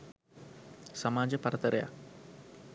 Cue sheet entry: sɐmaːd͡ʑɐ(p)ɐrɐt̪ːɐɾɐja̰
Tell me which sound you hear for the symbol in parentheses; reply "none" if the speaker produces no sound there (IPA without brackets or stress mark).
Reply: p